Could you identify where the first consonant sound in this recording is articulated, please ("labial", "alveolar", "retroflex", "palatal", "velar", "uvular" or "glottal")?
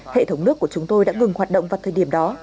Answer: glottal